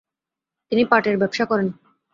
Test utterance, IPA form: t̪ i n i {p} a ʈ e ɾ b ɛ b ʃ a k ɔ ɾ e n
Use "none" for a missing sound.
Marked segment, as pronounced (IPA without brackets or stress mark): p